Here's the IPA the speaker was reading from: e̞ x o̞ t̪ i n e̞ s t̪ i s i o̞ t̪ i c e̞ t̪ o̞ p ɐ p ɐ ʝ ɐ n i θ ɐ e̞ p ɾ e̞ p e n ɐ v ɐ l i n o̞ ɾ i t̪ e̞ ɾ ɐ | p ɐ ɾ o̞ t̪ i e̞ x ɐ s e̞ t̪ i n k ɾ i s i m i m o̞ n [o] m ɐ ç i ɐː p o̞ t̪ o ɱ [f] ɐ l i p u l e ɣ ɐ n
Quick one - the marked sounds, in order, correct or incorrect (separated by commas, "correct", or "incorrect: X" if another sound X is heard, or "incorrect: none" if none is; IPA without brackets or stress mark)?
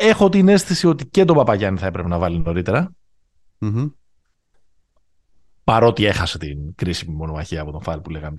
correct, correct